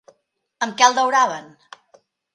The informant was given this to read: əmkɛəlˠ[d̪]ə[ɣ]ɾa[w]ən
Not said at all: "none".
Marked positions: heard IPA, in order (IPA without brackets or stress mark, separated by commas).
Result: d̪, w, β